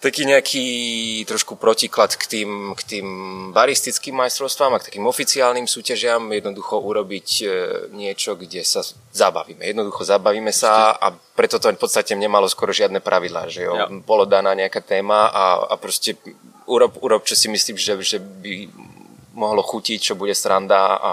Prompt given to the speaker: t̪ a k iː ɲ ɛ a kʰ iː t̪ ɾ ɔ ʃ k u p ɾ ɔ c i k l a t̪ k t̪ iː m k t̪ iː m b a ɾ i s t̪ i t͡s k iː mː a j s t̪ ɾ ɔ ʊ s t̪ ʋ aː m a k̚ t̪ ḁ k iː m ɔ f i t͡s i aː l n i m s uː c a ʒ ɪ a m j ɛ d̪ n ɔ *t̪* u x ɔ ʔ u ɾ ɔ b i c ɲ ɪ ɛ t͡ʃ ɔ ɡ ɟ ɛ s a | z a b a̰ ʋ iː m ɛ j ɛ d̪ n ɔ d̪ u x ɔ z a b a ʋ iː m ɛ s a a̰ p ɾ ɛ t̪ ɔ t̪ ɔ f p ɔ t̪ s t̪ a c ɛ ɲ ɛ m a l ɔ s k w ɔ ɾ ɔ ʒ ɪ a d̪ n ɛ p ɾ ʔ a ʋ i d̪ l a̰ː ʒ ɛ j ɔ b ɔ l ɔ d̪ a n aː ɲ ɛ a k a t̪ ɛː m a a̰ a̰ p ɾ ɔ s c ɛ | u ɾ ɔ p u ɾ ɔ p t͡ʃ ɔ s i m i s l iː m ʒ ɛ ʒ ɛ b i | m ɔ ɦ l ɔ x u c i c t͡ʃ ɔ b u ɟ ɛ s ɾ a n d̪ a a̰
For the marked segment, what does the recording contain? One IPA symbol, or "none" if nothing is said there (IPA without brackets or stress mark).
d̪